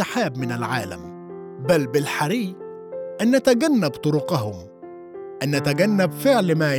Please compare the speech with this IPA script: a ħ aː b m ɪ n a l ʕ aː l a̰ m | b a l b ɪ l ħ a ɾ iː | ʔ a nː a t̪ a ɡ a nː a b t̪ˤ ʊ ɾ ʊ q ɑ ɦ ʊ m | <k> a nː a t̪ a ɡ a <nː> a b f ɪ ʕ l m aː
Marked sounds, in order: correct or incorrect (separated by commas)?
incorrect, correct